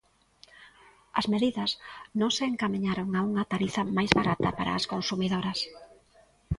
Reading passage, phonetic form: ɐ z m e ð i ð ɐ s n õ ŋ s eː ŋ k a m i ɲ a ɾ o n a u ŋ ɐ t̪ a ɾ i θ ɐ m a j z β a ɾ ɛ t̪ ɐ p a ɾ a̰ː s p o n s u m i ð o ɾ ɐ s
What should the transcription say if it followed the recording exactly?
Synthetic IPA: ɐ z m e ð i ð ɐ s n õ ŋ s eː ŋ k a m i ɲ a ɾ o ŋ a u ŋ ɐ t̪ a ɾ i θ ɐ m a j z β a ɾ a t̪ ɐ p a ɾ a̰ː s k o n s u m i ð o ɾ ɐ s

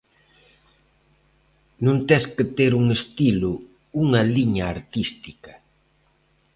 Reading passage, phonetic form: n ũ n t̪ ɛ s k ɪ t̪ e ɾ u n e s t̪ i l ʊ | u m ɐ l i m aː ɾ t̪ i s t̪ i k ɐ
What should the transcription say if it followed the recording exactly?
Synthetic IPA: n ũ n t̪ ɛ s k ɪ t̪ e ɾ u ŋ e s t̪ i l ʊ | u ŋ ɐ l i ɲ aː ɾ t̪ i s t̪ i k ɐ

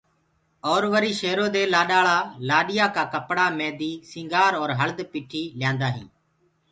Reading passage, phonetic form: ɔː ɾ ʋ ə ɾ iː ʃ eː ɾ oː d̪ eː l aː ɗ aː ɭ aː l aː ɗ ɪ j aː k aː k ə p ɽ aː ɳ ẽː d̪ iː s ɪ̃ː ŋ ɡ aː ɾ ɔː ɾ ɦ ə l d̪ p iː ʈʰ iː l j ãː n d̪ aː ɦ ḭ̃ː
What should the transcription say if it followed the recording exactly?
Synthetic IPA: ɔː ɾ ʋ ə ɾ iː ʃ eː ɾ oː d̪ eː l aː ɗ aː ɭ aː l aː ɗ ɪ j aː k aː k ə p ɽ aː m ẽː d̪ iː s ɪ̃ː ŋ ɡ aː ɾ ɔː ɾ ɦ ə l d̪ p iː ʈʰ iː l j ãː n d̪ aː ɦ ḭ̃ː

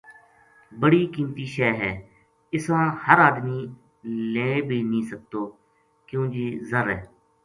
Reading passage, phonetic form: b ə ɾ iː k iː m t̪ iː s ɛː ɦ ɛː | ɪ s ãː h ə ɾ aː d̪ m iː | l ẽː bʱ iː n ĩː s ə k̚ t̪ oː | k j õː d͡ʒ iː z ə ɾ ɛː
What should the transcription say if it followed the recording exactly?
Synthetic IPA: b ə ɽ iː k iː m t̪ iː ʃ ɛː ɦ ɛː | ɪ s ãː h ə ɾ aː d̪ m iː | l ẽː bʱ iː n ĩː s ə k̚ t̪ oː | k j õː d͡ʒ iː z ə ɾ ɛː

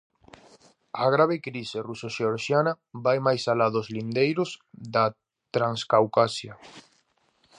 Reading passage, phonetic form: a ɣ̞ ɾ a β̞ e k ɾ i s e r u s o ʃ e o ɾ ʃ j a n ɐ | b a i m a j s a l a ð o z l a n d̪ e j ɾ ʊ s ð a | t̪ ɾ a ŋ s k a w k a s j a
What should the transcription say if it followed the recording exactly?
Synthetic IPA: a ɣ̞ ɾ a β̞ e k ɾ i s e r u s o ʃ e o ɾ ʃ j a n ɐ | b a j m a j s a l a ð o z l i n d̪ e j ɾ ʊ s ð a | t̪ ɾ a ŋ s k a w k a s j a

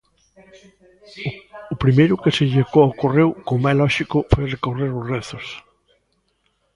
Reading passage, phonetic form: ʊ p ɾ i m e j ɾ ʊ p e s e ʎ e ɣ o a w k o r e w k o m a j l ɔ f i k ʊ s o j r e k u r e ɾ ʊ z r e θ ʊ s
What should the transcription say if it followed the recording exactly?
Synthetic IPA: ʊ p ɾ i m e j ɾ ʊ k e s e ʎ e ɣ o a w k o r e w k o m a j l ɔ ʃ i k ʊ f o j r e k o r e ɾ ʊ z r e θ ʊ s

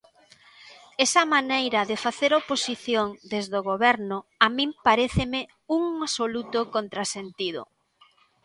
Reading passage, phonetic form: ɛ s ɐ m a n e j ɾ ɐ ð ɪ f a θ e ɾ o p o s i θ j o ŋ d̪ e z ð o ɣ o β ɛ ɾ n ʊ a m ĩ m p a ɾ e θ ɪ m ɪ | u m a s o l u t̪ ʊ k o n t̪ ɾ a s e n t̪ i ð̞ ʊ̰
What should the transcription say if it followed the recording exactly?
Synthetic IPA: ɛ s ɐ m a n e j ɾ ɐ ð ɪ f a θ e ɾ o p o s i θ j o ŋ d̪ e z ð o ɣ o β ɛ ɾ n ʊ a m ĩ m p a ɾ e θ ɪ m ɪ | u ŋ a s o l u t̪ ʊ k o n t̪ ɾ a s e n t̪ i ð̞ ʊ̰

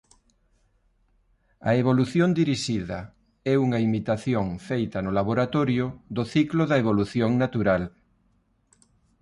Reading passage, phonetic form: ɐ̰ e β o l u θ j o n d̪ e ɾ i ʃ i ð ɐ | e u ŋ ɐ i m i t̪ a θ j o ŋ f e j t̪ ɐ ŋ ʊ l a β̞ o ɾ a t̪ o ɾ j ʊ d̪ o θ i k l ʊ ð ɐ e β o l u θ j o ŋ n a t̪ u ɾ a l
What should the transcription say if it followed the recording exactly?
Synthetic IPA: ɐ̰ e β o l u θ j o n d̪ i ɾ i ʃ i ð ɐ | ɛ u ŋ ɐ i m i t̪ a θ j o ŋ f e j t̪ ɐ n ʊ l a β̞ o ɾ a t̪ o ɾ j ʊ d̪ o θ i k l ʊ ð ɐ e β o l u θ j o ŋ n a t̪ u ɾ a l

